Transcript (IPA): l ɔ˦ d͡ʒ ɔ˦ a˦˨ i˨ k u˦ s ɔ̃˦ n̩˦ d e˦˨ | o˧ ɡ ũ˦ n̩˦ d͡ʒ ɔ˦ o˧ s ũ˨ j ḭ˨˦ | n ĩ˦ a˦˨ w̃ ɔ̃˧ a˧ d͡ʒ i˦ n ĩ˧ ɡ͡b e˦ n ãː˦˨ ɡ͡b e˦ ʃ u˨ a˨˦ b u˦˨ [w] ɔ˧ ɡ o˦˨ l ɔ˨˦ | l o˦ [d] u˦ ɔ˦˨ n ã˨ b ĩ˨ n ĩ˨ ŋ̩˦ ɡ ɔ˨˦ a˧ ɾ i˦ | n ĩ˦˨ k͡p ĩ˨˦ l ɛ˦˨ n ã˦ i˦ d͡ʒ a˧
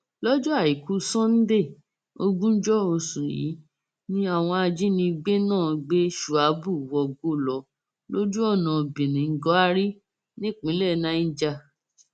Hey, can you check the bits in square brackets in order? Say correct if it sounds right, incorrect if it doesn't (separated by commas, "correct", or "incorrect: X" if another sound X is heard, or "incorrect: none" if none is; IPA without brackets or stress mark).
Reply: correct, incorrect: d͡ʒ